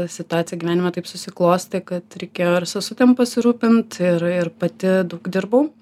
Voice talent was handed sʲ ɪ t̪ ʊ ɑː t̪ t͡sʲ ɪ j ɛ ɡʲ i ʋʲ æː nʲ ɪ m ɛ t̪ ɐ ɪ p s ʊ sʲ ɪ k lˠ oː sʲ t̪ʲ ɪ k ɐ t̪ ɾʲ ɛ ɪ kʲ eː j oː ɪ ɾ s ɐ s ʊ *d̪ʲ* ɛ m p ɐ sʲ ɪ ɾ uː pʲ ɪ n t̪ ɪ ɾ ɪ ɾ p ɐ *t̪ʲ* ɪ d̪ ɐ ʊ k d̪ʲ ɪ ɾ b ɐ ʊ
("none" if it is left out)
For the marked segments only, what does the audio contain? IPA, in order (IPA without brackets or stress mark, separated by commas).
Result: t̪ʲ, t̪ʲ